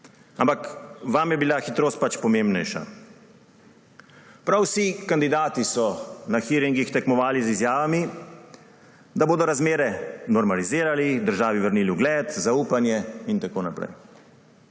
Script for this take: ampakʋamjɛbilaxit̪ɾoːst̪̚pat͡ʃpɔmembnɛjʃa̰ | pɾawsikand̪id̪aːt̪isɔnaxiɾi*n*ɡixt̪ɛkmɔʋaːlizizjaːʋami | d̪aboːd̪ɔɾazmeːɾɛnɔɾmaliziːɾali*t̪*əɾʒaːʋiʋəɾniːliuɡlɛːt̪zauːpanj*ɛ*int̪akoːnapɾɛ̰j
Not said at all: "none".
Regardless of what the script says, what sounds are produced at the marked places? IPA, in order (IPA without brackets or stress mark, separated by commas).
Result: ŋ, d̪, ɛ